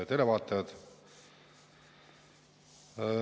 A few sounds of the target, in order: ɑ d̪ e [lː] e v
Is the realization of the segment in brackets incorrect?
yes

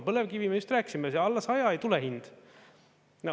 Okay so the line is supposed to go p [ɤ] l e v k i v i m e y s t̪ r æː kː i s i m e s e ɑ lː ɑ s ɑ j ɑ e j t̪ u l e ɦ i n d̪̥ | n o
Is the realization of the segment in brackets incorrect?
no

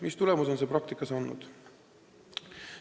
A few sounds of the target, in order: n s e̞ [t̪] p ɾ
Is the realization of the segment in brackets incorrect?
yes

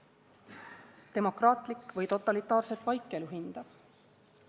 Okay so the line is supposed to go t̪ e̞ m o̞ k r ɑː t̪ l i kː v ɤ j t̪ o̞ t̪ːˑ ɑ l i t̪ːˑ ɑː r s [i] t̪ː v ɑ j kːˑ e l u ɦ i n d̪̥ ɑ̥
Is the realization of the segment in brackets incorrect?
yes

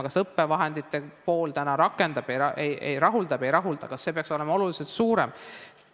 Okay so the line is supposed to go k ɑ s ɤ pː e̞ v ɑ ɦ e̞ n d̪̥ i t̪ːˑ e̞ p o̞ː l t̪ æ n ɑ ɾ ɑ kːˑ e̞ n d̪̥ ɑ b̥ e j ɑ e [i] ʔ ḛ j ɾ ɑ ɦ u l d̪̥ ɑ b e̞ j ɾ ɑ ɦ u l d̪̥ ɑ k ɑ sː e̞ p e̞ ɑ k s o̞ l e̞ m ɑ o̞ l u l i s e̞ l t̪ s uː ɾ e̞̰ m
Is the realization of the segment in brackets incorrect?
yes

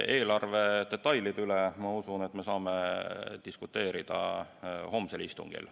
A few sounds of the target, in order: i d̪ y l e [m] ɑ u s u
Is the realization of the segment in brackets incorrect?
no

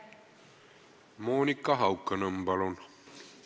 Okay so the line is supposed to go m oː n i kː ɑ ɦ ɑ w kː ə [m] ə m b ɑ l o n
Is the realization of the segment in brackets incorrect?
yes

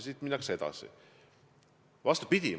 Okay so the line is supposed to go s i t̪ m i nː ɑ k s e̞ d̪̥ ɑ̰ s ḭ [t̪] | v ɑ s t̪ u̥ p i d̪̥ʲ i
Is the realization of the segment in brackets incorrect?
yes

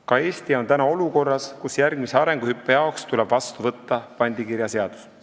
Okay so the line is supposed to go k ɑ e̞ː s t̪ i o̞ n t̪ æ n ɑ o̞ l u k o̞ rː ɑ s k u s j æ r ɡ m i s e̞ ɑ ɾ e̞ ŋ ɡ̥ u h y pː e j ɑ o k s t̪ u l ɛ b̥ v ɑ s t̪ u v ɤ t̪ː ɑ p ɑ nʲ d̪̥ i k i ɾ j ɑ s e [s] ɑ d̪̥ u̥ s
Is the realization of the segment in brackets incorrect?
yes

